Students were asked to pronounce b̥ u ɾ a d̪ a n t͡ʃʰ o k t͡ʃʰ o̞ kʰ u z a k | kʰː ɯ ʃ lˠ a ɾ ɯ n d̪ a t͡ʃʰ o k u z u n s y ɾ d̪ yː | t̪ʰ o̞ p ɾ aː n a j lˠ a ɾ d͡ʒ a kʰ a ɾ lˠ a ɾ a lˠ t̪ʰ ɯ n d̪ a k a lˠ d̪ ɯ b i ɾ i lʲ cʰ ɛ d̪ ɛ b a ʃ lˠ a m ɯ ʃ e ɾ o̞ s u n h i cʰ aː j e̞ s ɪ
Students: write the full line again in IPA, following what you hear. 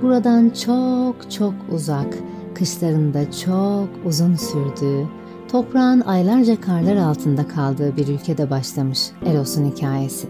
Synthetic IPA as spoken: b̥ u ɾ a d̪ a n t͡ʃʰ o k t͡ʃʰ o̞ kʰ u z a k | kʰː ɯ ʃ lˠ a ɾ ɯ n d̪ a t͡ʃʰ o k u z u n s y ɾ d̪ yː | t̪ʰ o̞ p ɾ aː n a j lˠ a ɾ d͡ʒ a kʰ a ɾ lˠ a ɾ a lˠ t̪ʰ ɯ n d̪ a kʰ a lˠ d̪ ɯː b i ɾ y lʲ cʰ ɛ d̪ ɛ b a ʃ lˠ a m ɯ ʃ e ɾ o̞ s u n h i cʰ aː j e̞ s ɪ